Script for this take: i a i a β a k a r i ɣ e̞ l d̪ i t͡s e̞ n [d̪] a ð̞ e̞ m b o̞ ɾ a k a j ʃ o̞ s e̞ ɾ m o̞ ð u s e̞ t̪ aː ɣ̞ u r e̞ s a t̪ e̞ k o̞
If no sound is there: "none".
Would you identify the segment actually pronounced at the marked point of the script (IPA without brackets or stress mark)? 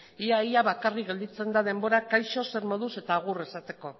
d̪